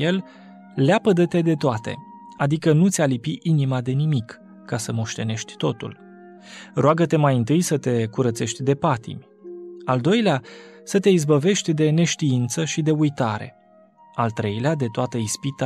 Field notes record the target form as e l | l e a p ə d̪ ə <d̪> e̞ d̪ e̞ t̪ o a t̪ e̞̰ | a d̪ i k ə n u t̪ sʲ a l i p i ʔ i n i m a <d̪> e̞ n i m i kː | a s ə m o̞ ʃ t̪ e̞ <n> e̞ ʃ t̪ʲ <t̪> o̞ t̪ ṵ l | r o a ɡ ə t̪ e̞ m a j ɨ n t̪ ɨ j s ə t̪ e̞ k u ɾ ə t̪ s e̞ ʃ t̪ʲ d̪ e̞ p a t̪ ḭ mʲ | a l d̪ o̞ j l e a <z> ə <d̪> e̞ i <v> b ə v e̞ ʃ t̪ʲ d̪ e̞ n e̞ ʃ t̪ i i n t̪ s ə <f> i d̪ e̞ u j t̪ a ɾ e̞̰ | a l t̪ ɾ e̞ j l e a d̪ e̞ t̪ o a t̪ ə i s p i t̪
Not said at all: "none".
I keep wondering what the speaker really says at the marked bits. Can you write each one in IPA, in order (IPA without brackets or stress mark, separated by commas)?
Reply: t̪, d̪, n, t̪, s, t̪, z, ʃ